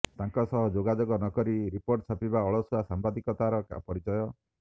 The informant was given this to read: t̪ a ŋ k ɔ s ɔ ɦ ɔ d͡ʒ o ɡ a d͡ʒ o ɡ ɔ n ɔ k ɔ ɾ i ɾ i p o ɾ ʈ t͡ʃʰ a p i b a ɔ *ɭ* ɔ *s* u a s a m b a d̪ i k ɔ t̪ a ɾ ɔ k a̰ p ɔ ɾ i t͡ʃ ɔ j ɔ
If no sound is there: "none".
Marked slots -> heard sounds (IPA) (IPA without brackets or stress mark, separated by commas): ɭ, s